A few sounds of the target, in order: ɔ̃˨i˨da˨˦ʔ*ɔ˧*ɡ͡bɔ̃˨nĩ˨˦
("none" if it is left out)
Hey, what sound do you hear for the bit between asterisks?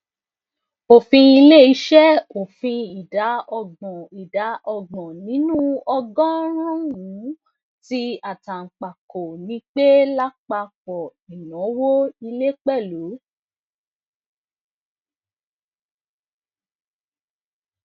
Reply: ɔ˧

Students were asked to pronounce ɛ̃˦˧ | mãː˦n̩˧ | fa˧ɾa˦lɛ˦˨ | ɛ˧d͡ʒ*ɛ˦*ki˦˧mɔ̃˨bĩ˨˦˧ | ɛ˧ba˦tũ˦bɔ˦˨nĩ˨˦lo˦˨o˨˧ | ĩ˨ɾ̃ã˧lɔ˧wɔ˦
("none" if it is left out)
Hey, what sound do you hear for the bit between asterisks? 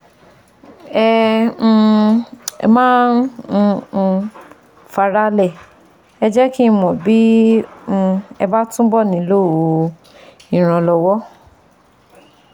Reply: ɛ˦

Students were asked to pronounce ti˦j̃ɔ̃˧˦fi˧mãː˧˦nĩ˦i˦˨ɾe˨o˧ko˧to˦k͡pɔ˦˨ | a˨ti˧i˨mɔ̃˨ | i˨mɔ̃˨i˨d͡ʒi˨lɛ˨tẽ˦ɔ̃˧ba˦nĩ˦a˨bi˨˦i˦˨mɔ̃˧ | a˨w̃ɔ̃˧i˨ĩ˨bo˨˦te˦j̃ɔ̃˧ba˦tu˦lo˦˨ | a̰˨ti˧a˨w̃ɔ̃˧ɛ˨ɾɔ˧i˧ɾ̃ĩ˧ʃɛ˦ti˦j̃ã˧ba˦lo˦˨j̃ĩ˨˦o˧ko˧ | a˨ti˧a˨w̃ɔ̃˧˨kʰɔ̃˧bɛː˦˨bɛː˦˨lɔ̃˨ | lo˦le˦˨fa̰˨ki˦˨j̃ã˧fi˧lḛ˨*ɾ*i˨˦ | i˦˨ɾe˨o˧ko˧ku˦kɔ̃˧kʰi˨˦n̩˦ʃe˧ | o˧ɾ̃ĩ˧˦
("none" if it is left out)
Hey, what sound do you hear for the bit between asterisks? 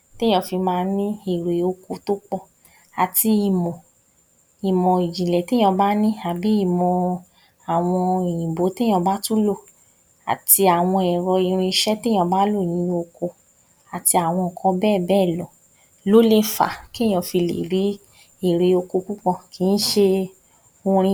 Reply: ɾ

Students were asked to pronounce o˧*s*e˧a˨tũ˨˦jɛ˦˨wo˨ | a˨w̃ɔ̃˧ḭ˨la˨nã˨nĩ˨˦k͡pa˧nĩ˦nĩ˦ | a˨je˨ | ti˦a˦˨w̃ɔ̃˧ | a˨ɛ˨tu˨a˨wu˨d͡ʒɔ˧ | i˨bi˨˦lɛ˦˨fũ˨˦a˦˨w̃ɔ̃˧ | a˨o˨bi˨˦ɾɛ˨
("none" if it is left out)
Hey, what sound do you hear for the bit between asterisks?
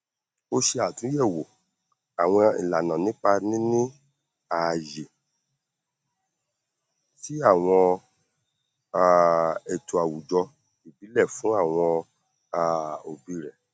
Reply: ʃ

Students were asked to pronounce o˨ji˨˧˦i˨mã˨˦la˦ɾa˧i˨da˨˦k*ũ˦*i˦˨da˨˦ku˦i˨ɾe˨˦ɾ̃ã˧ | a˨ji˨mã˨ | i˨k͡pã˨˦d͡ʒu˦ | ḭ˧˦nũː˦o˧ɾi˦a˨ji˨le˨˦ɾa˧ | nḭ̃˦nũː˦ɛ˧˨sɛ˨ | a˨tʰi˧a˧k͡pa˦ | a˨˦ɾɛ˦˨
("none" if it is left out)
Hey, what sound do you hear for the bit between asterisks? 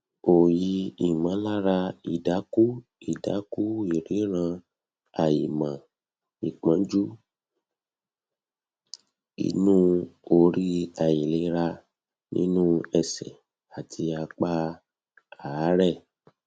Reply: u˦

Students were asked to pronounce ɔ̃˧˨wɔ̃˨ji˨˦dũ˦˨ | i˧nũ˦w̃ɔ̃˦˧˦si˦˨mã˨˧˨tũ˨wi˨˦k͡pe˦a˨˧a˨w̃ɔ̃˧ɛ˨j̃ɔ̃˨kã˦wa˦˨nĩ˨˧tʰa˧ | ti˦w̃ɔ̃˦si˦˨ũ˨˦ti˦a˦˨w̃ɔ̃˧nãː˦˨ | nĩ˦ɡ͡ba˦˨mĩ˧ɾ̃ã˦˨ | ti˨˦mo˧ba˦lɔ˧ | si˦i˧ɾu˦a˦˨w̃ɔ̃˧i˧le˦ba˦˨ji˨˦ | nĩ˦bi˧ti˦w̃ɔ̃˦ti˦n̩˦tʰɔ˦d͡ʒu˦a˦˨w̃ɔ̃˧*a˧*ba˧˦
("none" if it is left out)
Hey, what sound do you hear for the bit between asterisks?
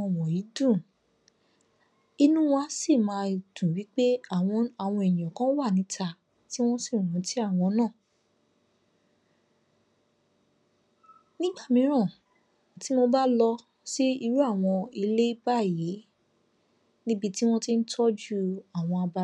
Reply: a˧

